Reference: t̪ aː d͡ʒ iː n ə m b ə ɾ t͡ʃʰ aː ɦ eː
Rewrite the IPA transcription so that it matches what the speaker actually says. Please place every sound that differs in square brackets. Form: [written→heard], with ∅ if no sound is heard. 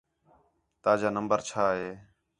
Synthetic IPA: t̪ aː d͡ʒ [iː→aː] n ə m b ə ɾ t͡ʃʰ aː ɦ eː